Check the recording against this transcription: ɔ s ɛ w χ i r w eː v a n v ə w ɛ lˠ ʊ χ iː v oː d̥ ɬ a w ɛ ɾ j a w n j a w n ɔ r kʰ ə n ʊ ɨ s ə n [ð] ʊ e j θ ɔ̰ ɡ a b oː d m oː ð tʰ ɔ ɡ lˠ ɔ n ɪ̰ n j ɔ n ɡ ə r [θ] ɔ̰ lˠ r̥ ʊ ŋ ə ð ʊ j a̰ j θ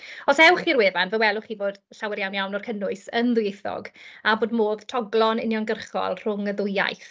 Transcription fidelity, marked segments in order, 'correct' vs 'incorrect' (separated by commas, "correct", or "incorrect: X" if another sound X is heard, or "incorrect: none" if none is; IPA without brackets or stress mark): correct, incorrect: χ